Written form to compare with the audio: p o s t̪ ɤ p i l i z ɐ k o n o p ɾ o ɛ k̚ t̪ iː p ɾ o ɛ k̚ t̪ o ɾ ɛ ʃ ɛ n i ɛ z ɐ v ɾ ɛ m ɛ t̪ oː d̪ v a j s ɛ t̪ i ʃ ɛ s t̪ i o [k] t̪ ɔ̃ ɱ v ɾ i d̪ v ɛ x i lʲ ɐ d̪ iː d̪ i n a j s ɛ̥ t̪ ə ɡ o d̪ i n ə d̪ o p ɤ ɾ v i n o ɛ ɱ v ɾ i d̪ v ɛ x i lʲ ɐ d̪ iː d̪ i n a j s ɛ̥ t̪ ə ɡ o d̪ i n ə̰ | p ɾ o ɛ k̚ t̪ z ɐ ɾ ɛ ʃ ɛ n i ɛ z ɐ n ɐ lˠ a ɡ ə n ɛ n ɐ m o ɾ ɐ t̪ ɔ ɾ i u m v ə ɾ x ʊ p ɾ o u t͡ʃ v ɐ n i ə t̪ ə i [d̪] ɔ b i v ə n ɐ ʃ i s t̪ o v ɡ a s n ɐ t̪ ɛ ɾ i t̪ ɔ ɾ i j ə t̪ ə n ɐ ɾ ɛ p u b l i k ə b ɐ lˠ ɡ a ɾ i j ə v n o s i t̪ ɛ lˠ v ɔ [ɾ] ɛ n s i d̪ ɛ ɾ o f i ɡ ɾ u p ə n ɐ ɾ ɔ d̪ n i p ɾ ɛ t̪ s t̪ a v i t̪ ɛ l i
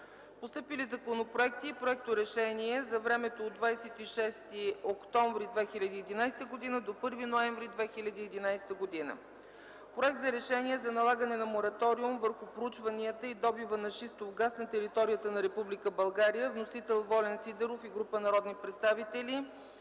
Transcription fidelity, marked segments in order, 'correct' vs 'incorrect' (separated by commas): correct, correct, incorrect